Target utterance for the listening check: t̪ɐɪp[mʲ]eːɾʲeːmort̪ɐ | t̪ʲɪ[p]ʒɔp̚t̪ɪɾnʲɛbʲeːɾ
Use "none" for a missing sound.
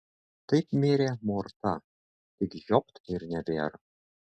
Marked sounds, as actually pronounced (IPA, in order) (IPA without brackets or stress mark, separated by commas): mʲ, k